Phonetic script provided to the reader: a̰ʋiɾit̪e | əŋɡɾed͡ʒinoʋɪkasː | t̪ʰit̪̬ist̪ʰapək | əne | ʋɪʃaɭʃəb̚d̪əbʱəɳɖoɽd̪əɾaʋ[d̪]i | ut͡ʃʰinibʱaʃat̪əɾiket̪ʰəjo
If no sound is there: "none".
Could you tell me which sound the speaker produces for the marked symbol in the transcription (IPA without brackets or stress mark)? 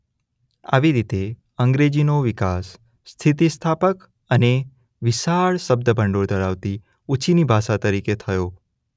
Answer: t̪